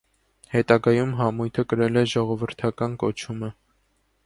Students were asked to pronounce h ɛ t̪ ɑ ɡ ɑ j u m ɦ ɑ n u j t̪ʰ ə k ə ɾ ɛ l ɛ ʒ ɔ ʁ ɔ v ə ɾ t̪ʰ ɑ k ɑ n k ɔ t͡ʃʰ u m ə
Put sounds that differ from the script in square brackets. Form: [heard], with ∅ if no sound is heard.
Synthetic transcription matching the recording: h ɛ t̪ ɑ ɡ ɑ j u m ɦ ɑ [m] u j t̪ʰ ə k ə ɾ ɛ l ɛ ʒ ɔ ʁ ɔ v ə ɾ t̪ʰ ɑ k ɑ n k ɔ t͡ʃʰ u m ə